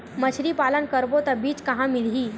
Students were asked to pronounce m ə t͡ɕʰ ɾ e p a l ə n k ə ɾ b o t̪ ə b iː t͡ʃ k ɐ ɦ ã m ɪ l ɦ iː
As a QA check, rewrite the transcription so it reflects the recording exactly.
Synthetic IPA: m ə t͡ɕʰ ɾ i p a l ə n k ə ɾ b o t̪ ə b iː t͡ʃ k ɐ ɦ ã m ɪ l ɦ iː